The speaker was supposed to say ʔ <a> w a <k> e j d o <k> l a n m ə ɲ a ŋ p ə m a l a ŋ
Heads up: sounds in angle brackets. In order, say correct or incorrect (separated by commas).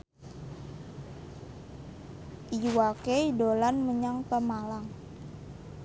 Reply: incorrect, correct, incorrect